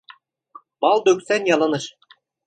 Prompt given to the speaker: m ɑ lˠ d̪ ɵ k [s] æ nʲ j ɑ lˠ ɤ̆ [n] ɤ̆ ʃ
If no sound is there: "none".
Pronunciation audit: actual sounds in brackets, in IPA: s, n

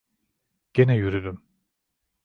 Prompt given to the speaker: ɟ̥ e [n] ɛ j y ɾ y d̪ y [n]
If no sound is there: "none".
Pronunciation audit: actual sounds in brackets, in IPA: n, m

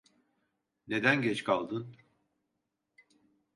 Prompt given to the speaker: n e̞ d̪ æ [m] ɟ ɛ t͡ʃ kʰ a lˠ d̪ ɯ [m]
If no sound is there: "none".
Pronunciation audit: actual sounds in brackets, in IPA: n, n

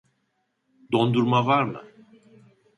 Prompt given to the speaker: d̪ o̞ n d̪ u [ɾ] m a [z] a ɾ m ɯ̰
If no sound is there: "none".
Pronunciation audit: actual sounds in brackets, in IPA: ɾ, v

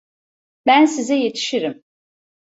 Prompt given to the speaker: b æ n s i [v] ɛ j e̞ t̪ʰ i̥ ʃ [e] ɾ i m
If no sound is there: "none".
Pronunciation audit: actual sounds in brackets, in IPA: z, i

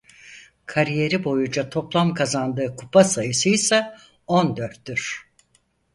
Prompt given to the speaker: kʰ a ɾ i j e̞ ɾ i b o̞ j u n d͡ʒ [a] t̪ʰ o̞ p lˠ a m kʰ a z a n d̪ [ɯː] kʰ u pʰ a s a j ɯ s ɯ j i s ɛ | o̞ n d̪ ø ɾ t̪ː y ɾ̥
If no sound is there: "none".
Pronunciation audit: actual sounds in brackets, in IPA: a, ɯː

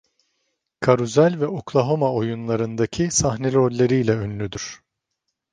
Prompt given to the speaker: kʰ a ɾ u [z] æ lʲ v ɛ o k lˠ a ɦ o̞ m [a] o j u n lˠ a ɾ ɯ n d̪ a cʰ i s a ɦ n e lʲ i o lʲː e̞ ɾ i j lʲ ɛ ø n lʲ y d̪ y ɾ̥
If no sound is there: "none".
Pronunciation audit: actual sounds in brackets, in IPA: z, a

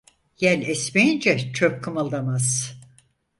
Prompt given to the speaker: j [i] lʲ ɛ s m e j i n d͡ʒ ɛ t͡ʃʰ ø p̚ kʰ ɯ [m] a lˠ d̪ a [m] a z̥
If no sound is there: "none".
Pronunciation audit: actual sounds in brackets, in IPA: æ, m, m

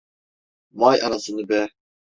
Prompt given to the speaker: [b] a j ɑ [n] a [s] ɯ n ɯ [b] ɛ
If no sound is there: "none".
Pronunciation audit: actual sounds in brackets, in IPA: m, n, s, b

